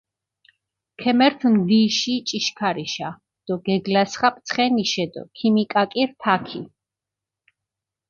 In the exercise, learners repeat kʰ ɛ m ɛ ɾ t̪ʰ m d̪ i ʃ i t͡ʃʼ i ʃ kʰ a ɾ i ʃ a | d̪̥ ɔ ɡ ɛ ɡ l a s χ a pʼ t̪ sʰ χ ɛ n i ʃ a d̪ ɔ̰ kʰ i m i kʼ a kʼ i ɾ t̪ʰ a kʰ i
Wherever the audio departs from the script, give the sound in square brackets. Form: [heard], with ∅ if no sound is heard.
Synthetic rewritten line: kʰ ɛ m ɛ ɾ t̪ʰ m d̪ i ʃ i t͡ʃʼ i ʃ kʰ a ɾ i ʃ a | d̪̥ ɔ ɡ ɛ ɡ l a s χ a pʼ t̪ sʰ χ ɛ n i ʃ [ɛ] d̪ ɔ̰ kʰ i m i kʼ a kʼ i ɾ t̪ʰ a kʰ i